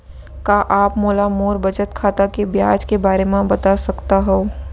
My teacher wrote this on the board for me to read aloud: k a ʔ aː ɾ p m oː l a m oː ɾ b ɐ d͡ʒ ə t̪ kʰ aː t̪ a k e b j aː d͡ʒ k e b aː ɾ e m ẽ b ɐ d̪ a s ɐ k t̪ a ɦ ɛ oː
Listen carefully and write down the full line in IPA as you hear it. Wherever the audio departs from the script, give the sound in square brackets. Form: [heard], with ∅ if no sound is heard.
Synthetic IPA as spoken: k a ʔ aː [∅] p m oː l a m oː ɾ b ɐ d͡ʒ ə t̪ kʰ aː t̪ a k e b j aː d͡ʒ k e b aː ɾ e m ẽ b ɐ [t̪] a s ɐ k t̪ a ɦ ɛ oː